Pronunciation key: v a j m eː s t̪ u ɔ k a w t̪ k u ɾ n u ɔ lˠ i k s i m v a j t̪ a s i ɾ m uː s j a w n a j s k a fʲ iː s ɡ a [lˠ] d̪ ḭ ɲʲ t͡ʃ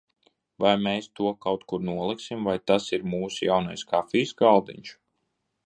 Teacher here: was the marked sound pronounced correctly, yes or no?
yes